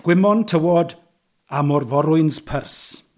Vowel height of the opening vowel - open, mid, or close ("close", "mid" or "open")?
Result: close